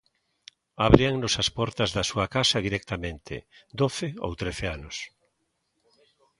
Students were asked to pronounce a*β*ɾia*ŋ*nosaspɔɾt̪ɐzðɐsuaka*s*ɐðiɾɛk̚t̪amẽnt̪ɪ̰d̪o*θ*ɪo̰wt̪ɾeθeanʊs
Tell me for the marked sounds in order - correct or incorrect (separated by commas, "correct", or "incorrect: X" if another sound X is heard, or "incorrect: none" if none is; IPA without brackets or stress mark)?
correct, correct, correct, correct